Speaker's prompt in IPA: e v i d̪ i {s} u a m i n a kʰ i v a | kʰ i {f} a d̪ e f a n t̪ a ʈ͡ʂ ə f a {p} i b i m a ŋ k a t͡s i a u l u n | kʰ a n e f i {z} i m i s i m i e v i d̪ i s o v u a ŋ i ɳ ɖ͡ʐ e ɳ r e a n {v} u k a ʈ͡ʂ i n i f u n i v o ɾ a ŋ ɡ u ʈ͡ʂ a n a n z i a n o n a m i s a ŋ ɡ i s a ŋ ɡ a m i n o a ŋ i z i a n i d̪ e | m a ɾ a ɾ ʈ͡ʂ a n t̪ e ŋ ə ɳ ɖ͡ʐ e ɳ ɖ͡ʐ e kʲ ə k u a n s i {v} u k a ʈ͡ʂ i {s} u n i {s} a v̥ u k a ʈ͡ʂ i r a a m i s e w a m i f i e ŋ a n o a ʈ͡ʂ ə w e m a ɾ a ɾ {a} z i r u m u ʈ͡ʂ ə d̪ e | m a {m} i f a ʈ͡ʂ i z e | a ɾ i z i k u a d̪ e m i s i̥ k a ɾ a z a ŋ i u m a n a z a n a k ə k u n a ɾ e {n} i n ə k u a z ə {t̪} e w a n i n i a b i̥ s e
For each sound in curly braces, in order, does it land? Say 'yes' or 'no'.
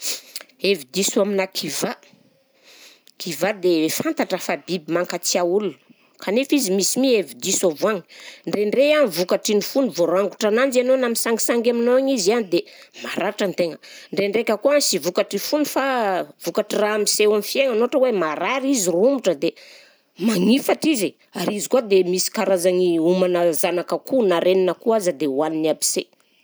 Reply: yes, no, no, yes, yes, yes, no, no, no, no, yes, no

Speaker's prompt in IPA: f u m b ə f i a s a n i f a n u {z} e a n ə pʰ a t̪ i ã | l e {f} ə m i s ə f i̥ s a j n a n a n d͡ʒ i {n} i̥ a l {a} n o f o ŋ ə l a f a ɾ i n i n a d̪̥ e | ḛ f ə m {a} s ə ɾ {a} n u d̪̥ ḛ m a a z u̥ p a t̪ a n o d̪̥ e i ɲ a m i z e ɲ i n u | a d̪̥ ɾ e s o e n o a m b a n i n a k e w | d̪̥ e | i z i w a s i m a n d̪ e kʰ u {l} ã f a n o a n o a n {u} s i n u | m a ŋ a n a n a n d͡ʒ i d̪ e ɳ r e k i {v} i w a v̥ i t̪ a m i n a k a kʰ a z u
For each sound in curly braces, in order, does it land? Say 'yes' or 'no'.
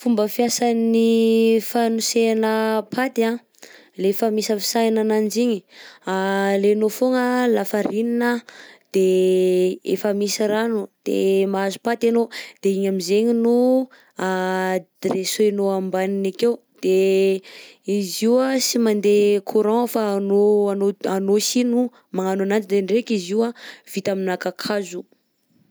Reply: no, yes, no, no, no, yes, no, no, no

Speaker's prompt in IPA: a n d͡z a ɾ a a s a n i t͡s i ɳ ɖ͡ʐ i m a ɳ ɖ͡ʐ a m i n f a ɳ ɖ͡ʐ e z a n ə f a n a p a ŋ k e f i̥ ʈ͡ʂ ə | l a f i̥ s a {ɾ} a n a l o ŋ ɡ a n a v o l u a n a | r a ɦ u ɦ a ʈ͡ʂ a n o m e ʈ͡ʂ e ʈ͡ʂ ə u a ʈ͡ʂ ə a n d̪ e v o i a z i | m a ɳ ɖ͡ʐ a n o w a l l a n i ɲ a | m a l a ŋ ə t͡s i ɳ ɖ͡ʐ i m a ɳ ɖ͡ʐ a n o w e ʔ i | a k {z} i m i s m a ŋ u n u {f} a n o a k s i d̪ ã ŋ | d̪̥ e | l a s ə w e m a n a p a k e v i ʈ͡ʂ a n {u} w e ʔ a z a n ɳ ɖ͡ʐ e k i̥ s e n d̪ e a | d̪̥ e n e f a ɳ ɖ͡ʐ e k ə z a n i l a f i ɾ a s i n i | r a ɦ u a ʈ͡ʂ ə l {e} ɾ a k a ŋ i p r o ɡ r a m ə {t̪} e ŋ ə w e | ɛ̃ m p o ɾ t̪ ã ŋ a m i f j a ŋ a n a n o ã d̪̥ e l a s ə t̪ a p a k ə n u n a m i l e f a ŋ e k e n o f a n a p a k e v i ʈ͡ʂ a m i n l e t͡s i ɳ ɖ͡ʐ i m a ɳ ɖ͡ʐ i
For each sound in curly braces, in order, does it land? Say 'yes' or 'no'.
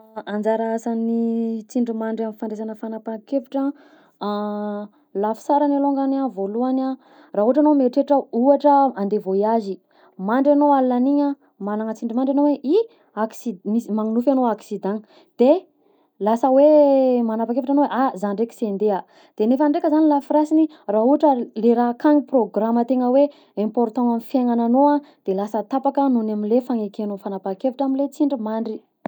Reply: yes, no, yes, no, yes, yes

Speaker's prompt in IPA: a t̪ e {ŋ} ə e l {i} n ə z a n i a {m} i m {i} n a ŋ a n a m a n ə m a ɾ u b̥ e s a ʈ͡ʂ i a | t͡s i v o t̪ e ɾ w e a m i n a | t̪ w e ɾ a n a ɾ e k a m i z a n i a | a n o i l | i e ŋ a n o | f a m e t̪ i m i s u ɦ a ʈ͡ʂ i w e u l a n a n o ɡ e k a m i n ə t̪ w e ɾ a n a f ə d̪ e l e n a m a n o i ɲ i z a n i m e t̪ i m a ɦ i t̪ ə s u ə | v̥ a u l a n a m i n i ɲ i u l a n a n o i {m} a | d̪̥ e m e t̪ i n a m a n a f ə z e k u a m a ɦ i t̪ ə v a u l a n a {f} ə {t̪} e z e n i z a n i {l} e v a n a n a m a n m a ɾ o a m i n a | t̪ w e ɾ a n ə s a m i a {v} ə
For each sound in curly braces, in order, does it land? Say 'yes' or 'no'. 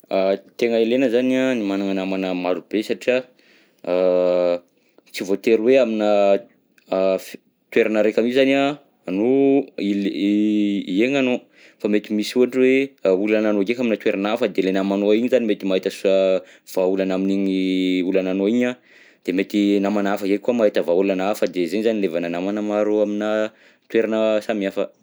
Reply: yes, no, no, no, no, yes, no, yes, no

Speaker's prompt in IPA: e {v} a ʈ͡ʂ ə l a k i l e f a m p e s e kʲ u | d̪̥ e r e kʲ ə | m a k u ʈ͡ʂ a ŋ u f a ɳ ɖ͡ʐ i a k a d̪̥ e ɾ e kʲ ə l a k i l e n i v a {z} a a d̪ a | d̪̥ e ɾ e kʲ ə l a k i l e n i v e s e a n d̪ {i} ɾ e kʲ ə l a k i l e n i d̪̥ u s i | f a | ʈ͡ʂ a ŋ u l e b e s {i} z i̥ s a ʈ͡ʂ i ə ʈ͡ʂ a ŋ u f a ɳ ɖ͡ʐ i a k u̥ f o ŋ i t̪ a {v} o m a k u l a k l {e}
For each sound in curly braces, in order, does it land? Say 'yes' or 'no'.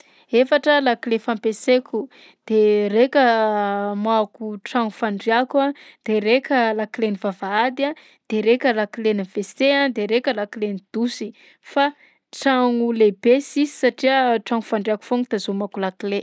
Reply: no, no, no, yes, no, yes

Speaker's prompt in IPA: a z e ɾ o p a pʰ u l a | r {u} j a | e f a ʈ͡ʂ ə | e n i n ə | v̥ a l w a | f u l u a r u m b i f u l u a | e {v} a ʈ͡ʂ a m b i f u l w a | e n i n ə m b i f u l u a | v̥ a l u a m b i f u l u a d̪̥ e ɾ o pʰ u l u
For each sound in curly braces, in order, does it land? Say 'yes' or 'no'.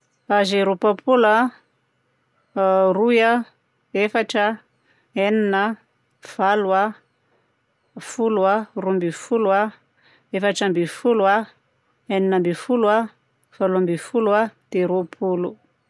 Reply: yes, no

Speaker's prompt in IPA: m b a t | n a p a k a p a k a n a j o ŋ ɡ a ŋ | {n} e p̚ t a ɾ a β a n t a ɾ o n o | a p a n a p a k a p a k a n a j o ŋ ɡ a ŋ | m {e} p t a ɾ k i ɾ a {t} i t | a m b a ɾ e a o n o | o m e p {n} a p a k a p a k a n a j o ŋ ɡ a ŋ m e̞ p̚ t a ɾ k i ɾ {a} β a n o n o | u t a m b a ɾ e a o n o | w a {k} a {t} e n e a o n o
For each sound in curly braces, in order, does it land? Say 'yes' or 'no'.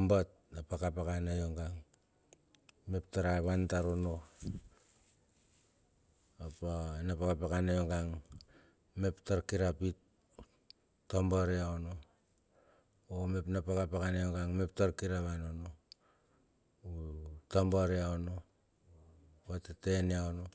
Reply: no, yes, no, yes, yes, no, yes

